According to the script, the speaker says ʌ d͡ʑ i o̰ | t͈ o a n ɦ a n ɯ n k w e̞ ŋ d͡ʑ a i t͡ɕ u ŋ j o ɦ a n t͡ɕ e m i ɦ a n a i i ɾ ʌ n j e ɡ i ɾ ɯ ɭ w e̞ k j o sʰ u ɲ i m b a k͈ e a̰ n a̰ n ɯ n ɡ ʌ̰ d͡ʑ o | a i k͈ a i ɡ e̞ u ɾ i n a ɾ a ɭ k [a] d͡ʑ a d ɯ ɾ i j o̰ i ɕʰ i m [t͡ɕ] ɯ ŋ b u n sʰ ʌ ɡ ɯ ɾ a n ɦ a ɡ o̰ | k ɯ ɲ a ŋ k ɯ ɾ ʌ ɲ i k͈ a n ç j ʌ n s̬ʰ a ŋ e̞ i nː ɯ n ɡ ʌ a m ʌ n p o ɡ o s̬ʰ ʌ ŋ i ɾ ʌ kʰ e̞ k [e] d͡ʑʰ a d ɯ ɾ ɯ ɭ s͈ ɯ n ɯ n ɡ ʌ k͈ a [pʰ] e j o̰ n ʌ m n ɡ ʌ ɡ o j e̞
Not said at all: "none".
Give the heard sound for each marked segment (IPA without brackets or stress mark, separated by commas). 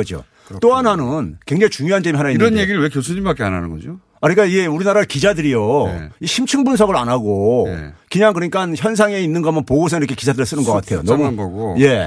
i, t͡ɕʰ, i, tʰ